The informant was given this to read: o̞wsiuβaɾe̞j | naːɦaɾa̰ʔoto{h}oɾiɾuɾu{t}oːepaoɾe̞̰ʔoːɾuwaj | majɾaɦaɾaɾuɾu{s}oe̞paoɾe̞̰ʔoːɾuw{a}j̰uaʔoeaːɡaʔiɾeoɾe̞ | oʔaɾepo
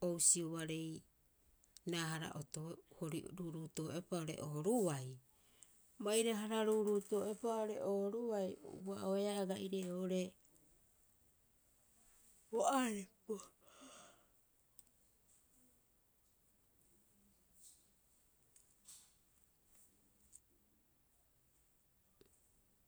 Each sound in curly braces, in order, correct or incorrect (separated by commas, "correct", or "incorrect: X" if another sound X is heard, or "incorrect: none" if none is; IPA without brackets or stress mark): correct, correct, incorrect: t, correct